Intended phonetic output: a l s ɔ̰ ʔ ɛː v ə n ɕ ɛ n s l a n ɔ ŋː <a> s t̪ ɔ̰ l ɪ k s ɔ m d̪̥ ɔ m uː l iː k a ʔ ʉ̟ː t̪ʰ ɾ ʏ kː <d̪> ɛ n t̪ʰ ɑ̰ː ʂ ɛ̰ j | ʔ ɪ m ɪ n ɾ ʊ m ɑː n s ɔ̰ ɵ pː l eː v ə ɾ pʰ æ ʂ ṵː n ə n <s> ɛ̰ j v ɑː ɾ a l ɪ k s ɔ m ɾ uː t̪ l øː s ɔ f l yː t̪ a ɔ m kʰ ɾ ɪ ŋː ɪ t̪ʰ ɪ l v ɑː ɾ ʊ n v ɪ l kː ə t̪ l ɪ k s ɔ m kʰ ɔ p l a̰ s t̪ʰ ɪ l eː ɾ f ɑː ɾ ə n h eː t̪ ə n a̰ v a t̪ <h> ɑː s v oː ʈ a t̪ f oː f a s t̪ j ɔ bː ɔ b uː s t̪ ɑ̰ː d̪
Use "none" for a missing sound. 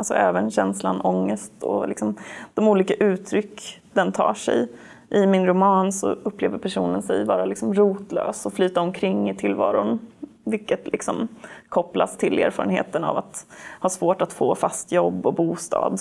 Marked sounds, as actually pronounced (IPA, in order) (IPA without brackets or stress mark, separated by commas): ə, d̪, s, h